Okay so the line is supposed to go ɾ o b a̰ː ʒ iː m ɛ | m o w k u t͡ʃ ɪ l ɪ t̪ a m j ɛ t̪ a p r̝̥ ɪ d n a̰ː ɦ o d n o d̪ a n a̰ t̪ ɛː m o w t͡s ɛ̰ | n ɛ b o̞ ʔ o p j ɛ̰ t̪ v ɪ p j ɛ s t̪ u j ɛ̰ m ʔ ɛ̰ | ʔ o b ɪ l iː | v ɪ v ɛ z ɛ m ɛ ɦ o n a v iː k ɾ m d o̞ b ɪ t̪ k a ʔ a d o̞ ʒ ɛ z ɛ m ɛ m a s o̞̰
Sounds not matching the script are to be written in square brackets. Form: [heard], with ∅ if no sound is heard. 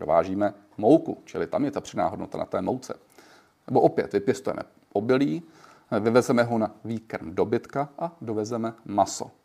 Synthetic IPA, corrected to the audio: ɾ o [v] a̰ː ʒ iː m ɛ | m o w k u t͡ʃ ɪ l ɪ t̪ a m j ɛ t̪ a p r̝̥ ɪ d n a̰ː ɦ o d n o [t̪] a n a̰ t̪ ɛː m o w t͡s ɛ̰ | n ɛ b o̞ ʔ o p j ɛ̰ t̪ v ɪ p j ɛ s t̪ u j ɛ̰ m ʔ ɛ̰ | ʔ o b ɪ l iː | v ɪ v ɛ z ɛ m ɛ ɦ o n a v iː k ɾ m d o̞ b ɪ t̪ k a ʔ a d o̞ [v] ɛ z ɛ m ɛ m a s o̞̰